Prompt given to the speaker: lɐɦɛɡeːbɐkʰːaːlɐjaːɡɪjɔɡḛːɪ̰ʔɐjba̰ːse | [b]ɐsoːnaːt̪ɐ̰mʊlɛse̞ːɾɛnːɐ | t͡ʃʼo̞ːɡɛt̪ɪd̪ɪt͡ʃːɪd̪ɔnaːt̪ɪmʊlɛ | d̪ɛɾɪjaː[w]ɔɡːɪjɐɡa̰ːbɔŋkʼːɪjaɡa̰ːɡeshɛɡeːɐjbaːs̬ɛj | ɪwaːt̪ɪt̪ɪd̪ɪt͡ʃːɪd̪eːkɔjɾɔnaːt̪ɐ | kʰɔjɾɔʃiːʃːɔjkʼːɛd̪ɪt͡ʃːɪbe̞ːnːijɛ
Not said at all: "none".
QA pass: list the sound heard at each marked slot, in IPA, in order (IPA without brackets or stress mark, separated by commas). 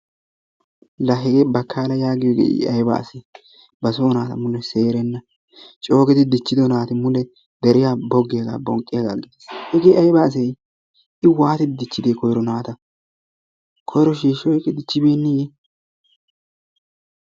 b, b